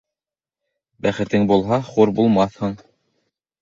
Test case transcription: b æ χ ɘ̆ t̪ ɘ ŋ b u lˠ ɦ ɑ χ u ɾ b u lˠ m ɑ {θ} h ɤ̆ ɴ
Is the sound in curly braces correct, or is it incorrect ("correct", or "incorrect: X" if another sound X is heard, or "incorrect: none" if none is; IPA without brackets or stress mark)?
correct